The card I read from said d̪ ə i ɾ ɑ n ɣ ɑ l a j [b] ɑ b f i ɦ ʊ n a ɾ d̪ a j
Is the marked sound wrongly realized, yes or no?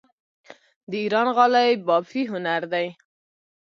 no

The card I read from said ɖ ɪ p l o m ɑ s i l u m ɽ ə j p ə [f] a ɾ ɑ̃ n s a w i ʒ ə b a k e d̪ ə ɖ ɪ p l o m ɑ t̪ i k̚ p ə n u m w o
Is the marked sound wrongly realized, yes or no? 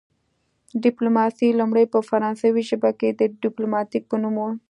no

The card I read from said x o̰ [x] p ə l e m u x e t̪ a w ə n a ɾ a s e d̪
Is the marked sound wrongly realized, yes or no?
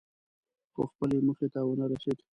no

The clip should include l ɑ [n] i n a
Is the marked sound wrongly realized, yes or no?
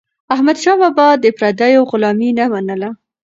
yes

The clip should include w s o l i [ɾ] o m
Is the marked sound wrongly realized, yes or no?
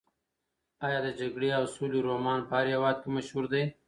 no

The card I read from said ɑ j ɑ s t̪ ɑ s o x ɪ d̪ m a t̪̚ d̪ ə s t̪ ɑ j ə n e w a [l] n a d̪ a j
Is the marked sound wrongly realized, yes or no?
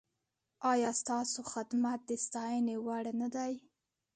yes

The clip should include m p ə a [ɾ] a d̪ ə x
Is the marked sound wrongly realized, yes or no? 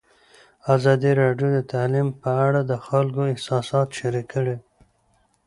yes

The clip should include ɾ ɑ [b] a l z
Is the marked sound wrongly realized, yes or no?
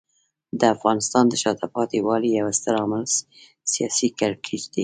yes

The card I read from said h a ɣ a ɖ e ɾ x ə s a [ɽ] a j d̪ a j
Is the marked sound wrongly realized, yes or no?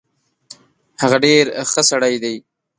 no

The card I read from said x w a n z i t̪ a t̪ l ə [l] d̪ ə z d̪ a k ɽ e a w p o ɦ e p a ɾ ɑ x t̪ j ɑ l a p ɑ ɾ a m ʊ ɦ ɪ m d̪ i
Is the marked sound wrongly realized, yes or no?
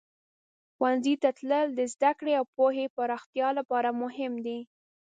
no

